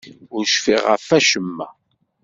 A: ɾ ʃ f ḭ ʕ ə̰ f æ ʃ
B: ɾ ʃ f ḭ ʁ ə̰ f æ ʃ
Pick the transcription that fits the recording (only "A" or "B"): B